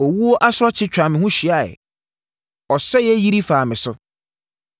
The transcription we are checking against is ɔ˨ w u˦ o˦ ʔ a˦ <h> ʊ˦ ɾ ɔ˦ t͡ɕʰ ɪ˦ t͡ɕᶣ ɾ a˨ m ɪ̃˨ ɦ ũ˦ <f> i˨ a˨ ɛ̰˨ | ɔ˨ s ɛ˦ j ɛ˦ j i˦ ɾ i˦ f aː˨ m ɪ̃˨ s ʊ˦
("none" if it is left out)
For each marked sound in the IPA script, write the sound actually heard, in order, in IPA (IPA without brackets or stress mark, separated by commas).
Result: s, ɕ